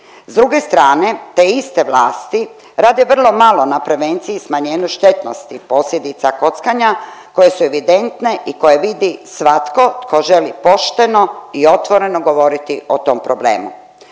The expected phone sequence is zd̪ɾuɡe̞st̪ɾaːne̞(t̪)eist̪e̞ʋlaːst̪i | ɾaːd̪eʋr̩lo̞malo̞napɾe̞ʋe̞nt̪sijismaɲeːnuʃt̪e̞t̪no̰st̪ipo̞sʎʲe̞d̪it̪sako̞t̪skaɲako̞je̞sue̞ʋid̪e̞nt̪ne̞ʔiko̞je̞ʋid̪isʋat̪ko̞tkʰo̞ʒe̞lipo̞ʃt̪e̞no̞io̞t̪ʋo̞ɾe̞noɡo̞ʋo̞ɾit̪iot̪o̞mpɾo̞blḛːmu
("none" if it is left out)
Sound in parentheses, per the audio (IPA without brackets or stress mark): t̪